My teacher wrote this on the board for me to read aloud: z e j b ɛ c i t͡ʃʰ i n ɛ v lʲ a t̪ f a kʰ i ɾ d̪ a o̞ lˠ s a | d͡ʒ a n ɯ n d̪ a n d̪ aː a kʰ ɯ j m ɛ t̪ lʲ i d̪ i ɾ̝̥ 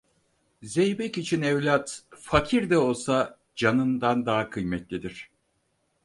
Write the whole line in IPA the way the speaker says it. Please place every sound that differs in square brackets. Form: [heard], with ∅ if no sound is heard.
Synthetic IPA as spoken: z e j b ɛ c i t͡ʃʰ i n ɛ v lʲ a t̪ f a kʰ i ɾ d̪ [ɛ] o̞ lˠ s a | d͡ʒ a n ɯ n d̪ a n d̪ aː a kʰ ɯ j m ɛ t̪ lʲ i d̪ i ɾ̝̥